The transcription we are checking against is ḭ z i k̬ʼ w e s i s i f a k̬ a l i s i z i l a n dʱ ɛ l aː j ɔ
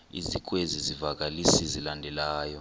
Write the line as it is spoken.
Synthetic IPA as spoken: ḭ z i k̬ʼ w e z i z i v a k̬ a l i s i z i l a n dʱ ɛ l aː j ɔ